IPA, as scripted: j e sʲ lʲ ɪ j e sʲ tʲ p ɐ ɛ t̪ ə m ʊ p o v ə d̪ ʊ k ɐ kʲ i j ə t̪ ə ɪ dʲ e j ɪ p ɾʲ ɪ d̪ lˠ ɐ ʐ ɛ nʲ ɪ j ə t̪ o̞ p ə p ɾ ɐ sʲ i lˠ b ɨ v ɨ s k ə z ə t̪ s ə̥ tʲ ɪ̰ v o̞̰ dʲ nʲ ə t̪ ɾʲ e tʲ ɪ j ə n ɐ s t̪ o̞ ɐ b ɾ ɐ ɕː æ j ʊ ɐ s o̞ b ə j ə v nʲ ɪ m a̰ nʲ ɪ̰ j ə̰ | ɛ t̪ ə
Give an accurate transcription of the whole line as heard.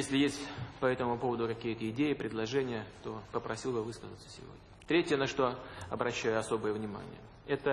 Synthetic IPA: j e sʲ lʲ ɪ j e sʲ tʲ p ɐ ɛ t̪ ə m ʊ p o v ə d̪ ʊ k ɐ kʲ i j ə t̪ ə ɪ dʲ e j ɪ p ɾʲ ɪ d̪ lˠ ɐ ʐ ɛ nʲ ɪ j ə t̪ o̞ p ə p ɾ ɐ sʲ i lˠ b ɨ v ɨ s k ə z ə t̪ s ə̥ sʲ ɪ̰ v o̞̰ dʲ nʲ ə t̪ ɾʲ e tʲ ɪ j ə n ɐ ʂ t̪ o̞ ɐ b ɾ ɐ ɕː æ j ʊ ɐ s o̞ b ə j ə v nʲ ɪ m a̰ nʲ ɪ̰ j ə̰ | ɛ t̪ ə